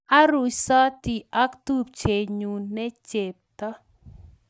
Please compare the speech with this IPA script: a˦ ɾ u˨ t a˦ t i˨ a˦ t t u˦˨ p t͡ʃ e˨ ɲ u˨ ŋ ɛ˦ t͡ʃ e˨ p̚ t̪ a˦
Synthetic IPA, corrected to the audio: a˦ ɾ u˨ s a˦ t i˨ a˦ k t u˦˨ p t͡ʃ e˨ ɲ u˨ n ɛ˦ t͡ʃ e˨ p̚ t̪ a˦